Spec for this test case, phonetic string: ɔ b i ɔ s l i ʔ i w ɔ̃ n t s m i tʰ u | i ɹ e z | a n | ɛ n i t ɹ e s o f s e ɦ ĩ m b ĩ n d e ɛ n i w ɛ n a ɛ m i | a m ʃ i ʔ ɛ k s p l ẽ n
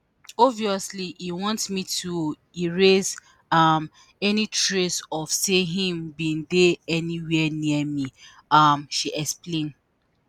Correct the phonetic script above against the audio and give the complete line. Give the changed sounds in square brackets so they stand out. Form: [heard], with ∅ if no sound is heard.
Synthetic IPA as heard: ɔ [v] i ɔ s l i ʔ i w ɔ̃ n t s m i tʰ u | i ɹ e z | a [m] | ɛ n i t ɹ e s [ɔ] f s e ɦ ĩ m b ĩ n d e ɛ n i w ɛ n [i] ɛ m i | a m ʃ i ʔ ɛ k s p l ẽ n